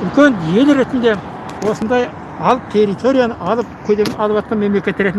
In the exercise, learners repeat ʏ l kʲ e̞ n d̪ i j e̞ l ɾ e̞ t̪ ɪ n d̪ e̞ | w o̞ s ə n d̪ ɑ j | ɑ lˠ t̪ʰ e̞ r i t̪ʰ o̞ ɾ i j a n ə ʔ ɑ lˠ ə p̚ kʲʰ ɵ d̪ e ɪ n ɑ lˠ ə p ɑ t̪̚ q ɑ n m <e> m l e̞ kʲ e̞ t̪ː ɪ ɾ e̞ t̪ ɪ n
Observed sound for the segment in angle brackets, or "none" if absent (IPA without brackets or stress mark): e